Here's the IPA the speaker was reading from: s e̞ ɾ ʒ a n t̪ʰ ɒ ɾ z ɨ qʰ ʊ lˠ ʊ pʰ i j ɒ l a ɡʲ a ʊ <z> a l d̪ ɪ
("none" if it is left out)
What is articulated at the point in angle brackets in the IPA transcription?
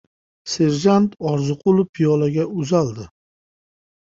z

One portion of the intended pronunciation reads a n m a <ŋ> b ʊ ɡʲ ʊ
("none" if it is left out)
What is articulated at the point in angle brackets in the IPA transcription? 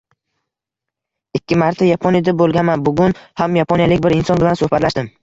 n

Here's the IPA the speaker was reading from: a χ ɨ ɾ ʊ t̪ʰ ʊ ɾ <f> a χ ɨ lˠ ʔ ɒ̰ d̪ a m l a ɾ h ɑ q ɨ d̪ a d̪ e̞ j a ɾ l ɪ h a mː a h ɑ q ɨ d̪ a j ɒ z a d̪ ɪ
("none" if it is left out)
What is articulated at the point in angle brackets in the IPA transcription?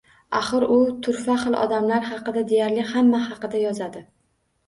f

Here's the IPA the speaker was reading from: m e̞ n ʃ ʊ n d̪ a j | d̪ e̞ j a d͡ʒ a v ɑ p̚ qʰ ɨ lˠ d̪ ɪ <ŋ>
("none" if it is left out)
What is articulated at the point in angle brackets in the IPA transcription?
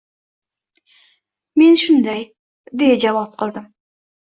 m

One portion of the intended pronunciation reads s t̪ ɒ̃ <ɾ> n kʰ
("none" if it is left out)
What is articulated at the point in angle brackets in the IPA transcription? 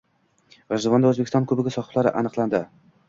none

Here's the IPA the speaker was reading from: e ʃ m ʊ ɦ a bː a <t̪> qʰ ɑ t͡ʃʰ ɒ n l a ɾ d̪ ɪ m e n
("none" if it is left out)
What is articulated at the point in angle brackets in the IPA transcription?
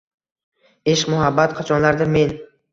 t̪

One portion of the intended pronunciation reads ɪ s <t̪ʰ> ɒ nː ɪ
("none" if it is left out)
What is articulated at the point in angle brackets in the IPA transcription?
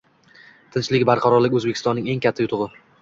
t̪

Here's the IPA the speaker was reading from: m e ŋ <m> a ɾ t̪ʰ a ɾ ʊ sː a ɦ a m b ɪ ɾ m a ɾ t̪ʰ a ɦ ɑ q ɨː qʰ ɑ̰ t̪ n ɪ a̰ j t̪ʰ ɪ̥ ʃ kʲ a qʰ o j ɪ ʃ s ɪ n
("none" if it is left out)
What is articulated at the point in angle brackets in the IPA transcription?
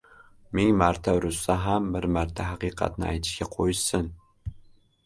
m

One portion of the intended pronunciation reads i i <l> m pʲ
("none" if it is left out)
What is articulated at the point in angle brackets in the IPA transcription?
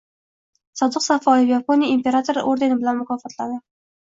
none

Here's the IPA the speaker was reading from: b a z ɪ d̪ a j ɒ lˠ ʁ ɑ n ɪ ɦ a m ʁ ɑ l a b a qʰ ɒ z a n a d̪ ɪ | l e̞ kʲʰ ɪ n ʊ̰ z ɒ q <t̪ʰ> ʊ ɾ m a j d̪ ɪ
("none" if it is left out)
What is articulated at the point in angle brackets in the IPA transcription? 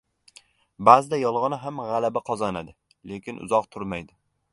t̪ʰ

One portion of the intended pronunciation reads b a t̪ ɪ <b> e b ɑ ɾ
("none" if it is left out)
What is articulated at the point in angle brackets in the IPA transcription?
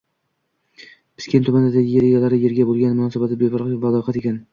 b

